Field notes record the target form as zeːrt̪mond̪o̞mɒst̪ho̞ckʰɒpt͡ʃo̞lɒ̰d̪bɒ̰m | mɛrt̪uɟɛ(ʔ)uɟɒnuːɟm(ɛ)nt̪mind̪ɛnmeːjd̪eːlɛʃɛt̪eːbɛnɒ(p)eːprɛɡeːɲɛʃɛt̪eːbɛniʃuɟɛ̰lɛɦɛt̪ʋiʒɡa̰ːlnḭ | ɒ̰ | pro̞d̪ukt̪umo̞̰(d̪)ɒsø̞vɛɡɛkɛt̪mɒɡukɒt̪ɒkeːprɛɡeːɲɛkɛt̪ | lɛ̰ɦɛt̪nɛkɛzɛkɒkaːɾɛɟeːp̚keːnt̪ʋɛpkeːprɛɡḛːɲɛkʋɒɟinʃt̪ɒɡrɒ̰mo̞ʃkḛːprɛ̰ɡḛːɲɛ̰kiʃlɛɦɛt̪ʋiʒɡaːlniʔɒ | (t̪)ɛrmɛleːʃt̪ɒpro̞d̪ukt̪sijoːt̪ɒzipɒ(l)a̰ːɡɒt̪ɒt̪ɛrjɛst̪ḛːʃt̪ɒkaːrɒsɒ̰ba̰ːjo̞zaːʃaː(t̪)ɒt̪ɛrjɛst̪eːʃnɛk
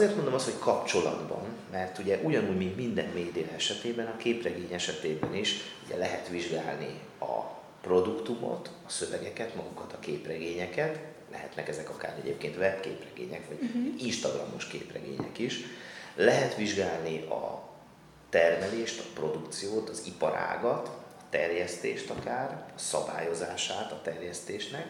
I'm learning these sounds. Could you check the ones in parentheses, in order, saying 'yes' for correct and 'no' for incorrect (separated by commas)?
yes, no, no, no, yes, no, yes